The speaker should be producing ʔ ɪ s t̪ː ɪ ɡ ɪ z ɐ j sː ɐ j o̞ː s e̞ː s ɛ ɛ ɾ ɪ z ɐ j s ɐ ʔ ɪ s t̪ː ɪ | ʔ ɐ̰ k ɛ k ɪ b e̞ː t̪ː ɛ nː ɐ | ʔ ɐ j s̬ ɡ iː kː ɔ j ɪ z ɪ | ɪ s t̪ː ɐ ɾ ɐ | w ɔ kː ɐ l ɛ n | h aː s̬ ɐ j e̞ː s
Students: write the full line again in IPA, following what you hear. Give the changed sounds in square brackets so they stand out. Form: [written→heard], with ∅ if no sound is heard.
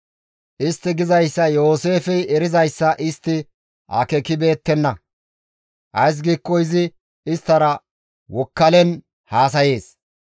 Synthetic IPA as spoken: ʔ ɪ s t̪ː ɪ ɡ ɪ z ɐ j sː ɐ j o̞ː s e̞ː [s→f] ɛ ɛ ɾ ɪ z ɐ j [s→sː] ɐ ʔ ɪ s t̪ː ɪ | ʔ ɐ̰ k ɛ k ɪ b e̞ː t̪ː ɛ nː ɐ | ʔ ɐ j s̬ ɡ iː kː ɔ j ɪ z ɪ | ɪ s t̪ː ɐ ɾ ɐ | w ɔ kː ɐ l ɛ n | h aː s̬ ɐ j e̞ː s